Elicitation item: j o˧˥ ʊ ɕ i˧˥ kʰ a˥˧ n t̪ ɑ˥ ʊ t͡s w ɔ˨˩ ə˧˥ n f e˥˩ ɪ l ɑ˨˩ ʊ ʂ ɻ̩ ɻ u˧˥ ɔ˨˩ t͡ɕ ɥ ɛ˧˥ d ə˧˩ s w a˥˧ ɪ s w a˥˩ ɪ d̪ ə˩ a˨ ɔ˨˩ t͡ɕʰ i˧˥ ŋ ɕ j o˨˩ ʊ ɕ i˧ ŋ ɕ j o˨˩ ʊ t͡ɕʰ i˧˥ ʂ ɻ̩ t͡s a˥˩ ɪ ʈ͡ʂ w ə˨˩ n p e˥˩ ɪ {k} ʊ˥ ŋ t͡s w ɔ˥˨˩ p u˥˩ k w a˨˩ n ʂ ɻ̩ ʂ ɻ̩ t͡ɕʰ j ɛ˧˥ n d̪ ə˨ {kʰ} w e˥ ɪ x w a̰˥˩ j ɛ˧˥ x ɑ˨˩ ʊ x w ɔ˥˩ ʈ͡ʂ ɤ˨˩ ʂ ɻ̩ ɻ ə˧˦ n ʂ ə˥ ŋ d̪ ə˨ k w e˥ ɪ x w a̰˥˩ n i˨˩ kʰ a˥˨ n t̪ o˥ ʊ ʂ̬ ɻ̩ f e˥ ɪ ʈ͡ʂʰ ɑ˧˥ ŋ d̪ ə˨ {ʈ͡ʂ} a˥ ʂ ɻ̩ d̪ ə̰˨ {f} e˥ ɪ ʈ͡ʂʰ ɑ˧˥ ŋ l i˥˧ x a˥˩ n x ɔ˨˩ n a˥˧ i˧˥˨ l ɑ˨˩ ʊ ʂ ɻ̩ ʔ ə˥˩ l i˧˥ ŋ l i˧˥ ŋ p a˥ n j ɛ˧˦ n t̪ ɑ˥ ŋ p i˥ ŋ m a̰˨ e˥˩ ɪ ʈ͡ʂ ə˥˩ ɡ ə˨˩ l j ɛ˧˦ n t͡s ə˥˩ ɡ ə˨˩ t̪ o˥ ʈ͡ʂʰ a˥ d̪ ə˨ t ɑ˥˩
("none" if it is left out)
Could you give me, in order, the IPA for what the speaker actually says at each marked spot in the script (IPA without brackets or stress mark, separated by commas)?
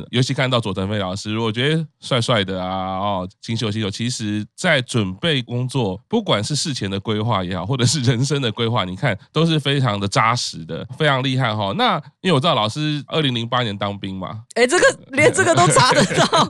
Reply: k, k, ʈ͡ʂ, f